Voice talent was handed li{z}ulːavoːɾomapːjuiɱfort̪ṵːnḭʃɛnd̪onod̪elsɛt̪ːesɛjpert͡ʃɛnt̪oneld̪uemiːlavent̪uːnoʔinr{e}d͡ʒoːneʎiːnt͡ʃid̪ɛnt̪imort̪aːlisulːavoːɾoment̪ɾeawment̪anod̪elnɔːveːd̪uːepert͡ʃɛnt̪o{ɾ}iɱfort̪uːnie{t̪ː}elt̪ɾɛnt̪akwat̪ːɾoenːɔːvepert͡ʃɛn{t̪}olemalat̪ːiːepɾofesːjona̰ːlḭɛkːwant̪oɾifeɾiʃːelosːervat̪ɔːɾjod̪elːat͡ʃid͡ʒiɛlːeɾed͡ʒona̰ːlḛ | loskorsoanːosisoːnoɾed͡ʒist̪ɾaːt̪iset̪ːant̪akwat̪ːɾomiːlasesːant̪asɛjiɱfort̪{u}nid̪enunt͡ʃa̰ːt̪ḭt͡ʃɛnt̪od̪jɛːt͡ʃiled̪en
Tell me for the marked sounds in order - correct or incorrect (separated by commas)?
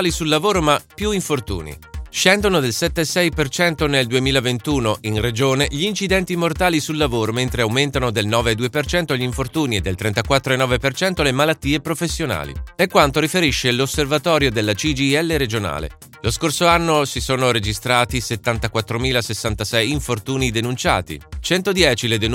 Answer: incorrect, correct, incorrect, incorrect, correct, incorrect